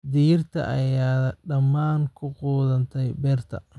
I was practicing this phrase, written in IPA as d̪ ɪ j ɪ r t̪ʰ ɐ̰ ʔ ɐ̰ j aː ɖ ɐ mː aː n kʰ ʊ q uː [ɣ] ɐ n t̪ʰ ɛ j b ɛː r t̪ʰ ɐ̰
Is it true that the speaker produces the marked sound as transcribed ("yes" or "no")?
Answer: no